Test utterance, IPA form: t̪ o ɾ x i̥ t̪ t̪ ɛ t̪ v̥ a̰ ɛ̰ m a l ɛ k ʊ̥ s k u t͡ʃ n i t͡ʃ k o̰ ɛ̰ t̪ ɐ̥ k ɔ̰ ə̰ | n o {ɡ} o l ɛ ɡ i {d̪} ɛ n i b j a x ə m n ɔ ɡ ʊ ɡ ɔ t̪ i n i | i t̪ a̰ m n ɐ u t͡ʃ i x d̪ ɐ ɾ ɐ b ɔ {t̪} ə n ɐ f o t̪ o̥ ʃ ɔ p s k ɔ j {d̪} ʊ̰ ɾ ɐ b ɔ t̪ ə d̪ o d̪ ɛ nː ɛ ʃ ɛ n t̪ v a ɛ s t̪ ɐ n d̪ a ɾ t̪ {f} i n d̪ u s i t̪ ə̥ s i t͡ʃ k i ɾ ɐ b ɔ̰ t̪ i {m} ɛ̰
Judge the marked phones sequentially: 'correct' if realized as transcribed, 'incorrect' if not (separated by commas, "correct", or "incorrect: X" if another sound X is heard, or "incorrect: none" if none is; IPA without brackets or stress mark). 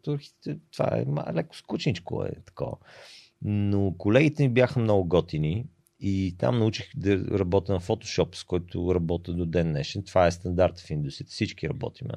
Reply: incorrect: k, incorrect: t̪, correct, incorrect: t̪, correct, correct